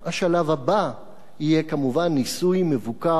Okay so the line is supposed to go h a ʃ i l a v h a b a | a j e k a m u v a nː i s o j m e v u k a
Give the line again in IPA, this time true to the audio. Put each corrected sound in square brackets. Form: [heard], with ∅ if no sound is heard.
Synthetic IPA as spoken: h a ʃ [a] l a v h a b a | [i] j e k a m u v a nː i s [u] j m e v u k a

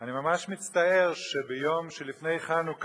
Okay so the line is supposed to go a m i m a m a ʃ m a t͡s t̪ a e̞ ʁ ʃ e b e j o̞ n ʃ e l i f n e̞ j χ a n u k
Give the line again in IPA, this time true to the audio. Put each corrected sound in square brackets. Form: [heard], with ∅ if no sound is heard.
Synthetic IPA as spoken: a [n] i m a m a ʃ m [i] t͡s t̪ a e̞ ʁ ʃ e b e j o̞ [m] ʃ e l i f n e̞ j χ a n u k

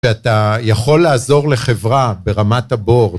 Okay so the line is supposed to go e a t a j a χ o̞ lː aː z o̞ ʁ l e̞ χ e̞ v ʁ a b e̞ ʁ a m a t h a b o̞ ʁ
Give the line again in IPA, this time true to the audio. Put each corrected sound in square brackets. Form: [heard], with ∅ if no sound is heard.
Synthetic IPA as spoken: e a t a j a χ o̞ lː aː z o̞ ʁ l e̞ χ e̞ v ʁ a b e̞ ʁ a m a t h a b o̞ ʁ

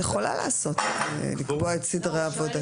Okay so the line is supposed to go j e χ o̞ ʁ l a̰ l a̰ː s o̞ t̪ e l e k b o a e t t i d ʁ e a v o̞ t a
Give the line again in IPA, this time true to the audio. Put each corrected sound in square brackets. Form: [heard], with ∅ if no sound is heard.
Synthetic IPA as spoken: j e χ o̞ [∅] l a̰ l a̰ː s o̞ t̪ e l [i] k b o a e t [s] i d ʁ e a v o̞ [d] a

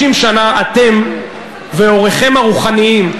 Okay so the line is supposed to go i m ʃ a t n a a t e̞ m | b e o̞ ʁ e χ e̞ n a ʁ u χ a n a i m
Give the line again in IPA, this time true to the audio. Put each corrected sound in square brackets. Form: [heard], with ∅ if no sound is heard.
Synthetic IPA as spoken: i m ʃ a [∅] n a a t e̞ m | [v] e o̞ ʁ e χ e̞ [m] a ʁ u χ a n [i] i m

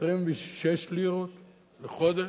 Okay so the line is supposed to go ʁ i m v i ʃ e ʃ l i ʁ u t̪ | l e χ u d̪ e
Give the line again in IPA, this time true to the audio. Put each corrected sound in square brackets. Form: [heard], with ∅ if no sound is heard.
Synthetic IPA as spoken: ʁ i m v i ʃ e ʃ l i ʁ [o] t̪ | l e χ [o] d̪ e

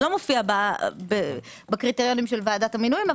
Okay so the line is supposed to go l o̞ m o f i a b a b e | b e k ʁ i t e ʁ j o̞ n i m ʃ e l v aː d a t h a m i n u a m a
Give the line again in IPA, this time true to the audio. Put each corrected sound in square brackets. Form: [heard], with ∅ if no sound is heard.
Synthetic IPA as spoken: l o̞ m o f i a b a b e | b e k ʁ i t e ʁ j o̞ n i m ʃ e l v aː d a t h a m i n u [i] m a

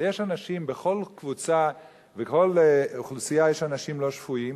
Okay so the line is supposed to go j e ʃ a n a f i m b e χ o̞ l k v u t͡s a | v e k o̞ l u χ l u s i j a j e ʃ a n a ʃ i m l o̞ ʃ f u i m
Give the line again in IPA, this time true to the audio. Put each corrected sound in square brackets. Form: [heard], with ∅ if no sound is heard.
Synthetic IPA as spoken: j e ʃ a n a [ʃ] i m b e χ o̞ l k v u t͡s a | v e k o̞ l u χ l u s i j a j e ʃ a n a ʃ i m l o̞ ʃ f u i m

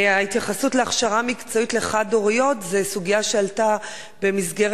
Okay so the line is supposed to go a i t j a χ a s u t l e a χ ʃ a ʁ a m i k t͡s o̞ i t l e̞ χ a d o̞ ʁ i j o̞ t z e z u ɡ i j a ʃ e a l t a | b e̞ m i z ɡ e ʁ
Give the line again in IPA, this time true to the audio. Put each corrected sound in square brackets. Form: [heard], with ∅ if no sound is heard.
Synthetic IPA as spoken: a i t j a χ a s u t l e a χ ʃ a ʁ a m i k t͡s o̞ i t l e̞ χ a d o̞ ʁ i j o̞ t z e [s] u ɡ i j a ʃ e a l t a | b e̞ m i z ɡ e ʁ

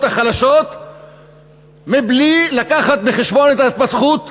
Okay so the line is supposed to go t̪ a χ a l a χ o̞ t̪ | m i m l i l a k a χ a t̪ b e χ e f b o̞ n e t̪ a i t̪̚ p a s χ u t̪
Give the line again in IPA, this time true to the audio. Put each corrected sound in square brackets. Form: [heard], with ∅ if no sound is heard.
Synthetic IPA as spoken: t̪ a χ a l a [ʃ] o̞ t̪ | m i [b] l i l a k a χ a t̪ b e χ e [ʃ] b o̞ n e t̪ a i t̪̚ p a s χ u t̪

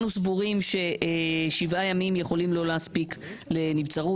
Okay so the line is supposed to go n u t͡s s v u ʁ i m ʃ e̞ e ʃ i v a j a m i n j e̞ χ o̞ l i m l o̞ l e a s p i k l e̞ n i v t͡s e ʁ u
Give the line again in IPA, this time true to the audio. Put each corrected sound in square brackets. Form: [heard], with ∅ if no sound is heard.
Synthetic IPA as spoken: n u [∅] s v u ʁ i m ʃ e̞ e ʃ i v a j a m i [m] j e̞ χ o̞ l i m l o̞ l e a s p i k l e̞ n i v t͡s [a] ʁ u

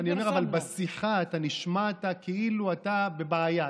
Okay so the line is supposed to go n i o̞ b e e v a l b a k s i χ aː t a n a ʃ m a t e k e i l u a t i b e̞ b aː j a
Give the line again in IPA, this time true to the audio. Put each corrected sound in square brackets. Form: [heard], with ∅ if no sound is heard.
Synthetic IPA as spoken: n i o̞ [m] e [a] v a l b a [∅] s i χ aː t a n [i] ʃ m a t [a] k e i l u a t [a] b e̞ b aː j a

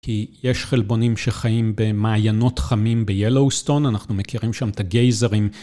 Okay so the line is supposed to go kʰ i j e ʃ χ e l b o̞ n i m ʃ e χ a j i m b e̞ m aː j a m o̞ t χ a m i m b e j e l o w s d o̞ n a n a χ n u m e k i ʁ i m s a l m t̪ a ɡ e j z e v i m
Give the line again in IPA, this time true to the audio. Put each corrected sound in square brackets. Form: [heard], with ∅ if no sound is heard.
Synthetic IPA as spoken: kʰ i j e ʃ χ e l b o̞ n i m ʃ e χ a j i m b e̞ m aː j a [n] o̞ t χ a m i m b e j e l o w s [t] o̞ n a n a χ n u m e k i ʁ i m [ʃ] a [∅] m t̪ a ɡ e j z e [ʁ] i m

